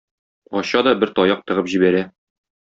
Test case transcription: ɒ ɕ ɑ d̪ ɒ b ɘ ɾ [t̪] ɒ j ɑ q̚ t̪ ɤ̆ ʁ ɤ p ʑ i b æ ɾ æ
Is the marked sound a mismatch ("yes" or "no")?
no